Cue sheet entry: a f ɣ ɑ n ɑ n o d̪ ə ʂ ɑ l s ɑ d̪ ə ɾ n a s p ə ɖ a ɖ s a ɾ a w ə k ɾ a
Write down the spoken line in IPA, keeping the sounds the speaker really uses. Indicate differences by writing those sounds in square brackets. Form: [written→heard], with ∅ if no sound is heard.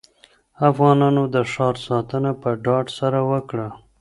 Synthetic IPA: a f ɣ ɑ n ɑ n o d̪ ə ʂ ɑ [l→ɾ] s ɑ [d̪→t̪] ə [ɾ→∅] n a [s→∅] p ə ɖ [a→ɑ] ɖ s a ɾ a w ə k [ɾ→ɽ] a